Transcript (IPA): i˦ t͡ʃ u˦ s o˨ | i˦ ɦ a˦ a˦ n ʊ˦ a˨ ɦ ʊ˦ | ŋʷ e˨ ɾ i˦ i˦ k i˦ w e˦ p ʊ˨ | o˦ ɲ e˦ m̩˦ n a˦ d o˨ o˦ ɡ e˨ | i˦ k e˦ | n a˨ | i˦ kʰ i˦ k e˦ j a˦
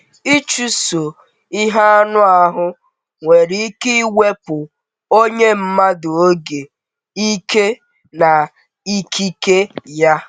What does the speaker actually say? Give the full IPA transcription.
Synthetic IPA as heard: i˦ t͡ʃ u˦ s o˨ | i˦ ɦ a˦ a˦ n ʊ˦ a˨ ɦ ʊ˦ | ŋʷ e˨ ɾ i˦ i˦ k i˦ w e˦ p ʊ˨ | o˦ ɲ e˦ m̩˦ m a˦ d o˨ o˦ ɡ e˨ | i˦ k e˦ | n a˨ | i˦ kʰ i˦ k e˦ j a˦

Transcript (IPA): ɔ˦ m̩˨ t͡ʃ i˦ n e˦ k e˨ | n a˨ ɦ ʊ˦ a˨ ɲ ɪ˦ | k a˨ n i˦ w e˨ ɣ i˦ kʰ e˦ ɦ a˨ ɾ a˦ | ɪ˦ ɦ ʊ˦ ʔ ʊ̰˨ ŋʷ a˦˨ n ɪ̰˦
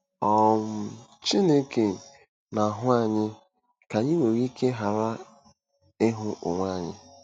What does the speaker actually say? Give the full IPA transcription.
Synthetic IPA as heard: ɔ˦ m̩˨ t͡ʃ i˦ n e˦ k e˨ | n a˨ ɦ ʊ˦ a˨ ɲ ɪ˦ | k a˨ ɲ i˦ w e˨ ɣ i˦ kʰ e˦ ɦ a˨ ɾ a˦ | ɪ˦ ɦ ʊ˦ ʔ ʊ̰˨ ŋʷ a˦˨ ɲ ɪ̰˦

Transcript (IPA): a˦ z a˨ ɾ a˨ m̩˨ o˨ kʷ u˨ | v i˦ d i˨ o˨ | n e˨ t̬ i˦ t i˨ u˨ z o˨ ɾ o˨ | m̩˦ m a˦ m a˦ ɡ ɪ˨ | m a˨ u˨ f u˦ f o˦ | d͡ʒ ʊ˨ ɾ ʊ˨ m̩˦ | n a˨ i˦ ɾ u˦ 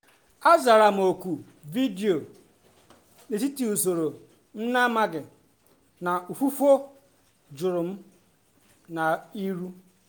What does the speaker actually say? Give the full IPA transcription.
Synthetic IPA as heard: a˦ z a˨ ɾ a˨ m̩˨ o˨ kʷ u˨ | v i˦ d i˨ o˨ | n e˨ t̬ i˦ t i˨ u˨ s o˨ ɾ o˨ | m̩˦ n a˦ m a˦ ɡ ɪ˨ | n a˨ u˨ f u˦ f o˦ | d͡ʒ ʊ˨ ɾ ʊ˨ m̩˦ | n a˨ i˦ ɾ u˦

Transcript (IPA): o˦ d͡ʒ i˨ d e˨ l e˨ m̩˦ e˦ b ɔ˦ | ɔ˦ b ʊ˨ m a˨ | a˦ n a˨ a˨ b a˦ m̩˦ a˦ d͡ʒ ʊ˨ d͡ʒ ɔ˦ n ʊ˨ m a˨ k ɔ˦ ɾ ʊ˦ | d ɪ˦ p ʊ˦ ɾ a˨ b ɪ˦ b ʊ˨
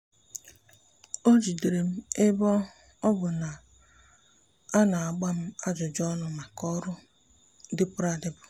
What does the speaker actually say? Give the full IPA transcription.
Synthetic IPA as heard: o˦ d͡ʒ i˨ d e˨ ɾ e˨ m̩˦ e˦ b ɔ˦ | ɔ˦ b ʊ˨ n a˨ | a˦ n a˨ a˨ ɡ͡b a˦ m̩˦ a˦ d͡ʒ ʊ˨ d͡ʒ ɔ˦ n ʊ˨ m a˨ k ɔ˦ ɾ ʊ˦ | d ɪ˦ p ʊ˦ ɾ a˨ d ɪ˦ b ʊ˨

